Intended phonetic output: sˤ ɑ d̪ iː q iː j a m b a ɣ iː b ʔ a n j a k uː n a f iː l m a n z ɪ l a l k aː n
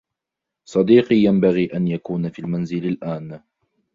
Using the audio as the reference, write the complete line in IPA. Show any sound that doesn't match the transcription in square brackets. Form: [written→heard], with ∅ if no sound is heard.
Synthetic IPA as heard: sˤ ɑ d̪ iː q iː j a m b a ɣ iː [b→∅] ʔ a n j a k uː n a f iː l m a n z ɪ l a l [k→ʔ] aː n

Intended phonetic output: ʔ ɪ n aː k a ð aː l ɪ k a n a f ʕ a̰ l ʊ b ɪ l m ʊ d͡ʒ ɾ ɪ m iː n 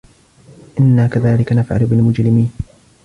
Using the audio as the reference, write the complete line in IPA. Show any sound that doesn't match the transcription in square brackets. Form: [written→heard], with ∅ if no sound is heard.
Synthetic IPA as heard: ʔ ɪ [n→nː] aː k a ð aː l ɪ k a n a f ʕ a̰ l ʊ b ɪ l m ʊ d͡ʒ ɾ ɪ m iː n

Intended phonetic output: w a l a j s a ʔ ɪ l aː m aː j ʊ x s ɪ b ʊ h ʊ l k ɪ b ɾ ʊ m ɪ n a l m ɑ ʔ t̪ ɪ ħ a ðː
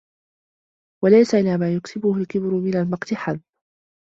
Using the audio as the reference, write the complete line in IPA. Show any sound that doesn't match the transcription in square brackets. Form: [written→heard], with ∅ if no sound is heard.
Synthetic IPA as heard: w a l a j s a ʔ ɪ l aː m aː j ʊ [x→k] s ɪ b ʊ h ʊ l k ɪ b ɾ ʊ m ɪ n a l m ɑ [ʔ→q] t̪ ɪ ħ a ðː

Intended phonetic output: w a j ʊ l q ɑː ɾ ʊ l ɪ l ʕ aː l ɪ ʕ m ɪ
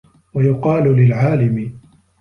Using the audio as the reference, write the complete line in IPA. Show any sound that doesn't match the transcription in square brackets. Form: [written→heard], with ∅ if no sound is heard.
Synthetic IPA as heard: w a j ʊ [l→∅] q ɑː [ɾ→l] ʊ l ɪ l ʕ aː l ɪ [ʕ→∅] m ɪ

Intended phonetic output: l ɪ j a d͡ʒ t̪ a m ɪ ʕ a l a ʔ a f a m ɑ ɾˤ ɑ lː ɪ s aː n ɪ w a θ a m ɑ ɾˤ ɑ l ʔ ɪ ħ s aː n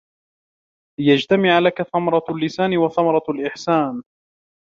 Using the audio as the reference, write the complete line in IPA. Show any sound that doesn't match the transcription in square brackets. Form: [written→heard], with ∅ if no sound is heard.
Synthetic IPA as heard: l ɪ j a d͡ʒ t̪ a m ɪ ʕ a l a [ʔ→k] a [f→θ] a m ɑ ɾˤ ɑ lː ɪ s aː n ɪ w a θ a m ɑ ɾˤ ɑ l ʔ ɪ ħ s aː n

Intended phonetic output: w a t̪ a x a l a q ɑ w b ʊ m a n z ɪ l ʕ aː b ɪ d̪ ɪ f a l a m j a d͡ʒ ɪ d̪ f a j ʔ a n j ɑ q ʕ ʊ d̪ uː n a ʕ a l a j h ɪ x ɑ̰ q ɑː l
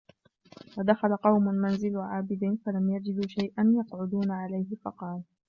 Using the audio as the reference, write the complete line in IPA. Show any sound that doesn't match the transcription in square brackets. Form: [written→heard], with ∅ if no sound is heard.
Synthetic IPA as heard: w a [t̪→d̪] a x a l a q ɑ w [b→m] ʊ m a n z ɪ l ʕ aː b ɪ d̪ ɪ f a l a m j a d͡ʒ ɪ d̪ [f→ʃ] a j ʔ a n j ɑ q ʕ ʊ d̪ uː n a ʕ a l a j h ɪ [x→f] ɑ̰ q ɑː l

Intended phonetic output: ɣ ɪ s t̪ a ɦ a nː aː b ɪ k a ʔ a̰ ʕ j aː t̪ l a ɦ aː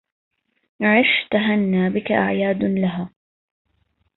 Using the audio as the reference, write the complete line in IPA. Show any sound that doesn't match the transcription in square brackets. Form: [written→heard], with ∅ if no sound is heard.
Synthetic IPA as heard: [ɣ→ʕ] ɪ [s→ʃ] t̪ a ɦ a nː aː b ɪ k a ʔ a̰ ʕ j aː [t̪→d̪] l a ɦ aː

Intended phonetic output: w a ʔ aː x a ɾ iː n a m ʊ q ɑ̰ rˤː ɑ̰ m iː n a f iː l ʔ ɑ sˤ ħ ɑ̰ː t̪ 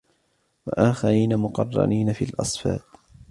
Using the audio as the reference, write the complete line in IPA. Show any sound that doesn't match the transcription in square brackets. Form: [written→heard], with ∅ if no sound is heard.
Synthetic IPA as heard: w a ʔ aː x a ɾ iː n a m ʊ q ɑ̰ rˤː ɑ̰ [m→n] iː n a f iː l ʔ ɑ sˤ [ħ→f] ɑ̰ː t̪

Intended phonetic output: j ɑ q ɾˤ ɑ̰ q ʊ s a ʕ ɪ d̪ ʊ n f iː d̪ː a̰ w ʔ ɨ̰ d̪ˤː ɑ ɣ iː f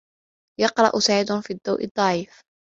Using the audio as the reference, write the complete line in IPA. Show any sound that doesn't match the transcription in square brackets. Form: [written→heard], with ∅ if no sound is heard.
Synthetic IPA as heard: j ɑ q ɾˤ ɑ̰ [q→ʔ] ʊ s a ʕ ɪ d̪ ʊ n f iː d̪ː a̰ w ʔ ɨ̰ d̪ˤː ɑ [ɣ→ʕ] iː f

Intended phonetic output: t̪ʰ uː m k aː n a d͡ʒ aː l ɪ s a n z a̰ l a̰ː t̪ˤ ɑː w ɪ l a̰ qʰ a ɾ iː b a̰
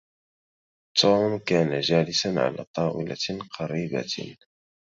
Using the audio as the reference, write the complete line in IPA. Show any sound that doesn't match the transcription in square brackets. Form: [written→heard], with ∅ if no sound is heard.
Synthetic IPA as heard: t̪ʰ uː m k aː n a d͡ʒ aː l ɪ s a n [z→ʕ] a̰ l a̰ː t̪ˤ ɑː w ɪ l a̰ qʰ [a→ɑ] ɾ iː b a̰

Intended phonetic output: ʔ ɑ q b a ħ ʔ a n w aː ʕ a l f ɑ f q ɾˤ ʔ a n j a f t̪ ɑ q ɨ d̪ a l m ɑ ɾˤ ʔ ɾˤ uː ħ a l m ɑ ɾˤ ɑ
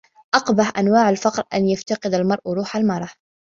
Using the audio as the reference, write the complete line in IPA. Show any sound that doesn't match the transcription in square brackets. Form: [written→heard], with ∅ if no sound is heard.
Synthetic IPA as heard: ʔ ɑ q b a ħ ʔ a n w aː ʕ a l f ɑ [f→∅] q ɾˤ ʔ a n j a f t̪ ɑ q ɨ d̪ a l m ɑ ɾˤ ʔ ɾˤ uː ħ a l m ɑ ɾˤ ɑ

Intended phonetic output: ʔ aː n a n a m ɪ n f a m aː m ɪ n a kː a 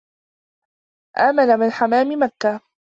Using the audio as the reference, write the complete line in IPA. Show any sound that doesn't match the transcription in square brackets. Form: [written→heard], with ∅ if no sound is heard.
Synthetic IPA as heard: ʔ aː [n→m] a n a m ɪ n [f→ħ] a m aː m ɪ [n→m] a kː a

